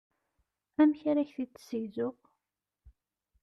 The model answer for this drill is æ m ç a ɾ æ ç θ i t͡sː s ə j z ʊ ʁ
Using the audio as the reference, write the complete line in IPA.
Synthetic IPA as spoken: æ m ç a ɾ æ ç θ i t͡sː s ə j z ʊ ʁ